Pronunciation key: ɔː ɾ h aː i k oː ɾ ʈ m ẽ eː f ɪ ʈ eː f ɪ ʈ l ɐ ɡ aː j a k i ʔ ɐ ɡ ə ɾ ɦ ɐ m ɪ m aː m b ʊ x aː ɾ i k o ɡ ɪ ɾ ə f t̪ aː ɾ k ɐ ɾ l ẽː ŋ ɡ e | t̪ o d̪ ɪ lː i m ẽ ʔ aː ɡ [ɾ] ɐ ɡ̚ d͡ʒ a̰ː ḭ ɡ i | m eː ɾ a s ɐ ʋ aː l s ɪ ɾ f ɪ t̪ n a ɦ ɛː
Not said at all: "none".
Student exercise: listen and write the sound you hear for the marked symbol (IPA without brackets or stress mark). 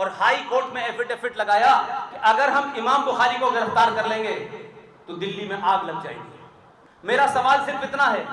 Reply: l